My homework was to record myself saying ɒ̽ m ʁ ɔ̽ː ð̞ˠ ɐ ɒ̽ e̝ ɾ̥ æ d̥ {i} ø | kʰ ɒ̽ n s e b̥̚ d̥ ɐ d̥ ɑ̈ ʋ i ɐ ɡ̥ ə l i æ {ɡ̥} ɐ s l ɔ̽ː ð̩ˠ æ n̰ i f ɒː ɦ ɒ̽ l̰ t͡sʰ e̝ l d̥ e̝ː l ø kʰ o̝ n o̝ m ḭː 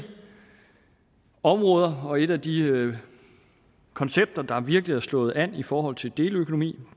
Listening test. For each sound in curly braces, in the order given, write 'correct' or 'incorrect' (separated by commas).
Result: correct, incorrect